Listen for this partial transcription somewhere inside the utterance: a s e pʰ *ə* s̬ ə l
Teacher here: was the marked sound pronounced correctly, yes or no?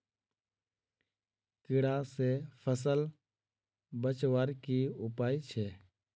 yes